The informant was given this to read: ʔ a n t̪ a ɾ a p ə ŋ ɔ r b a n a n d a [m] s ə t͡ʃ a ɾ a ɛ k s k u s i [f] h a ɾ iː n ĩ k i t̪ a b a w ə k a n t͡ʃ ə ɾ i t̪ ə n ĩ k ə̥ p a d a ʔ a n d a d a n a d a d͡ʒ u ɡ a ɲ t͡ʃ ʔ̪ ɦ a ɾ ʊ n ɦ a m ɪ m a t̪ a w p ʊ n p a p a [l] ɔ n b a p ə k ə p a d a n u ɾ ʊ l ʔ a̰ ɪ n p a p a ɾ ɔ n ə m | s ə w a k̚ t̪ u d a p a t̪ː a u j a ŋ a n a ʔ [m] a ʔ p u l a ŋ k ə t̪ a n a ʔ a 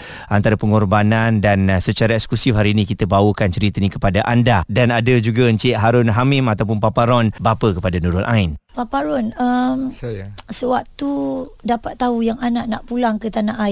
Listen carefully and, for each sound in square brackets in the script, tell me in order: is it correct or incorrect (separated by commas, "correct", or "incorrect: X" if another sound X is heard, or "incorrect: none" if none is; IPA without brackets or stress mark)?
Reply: incorrect: n, correct, incorrect: ɾ, incorrect: n